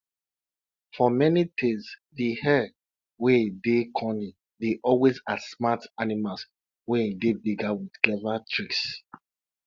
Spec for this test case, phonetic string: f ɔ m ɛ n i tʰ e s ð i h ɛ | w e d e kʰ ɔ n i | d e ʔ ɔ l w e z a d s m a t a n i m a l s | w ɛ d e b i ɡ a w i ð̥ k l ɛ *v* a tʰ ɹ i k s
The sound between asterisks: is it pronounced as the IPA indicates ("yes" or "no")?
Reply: yes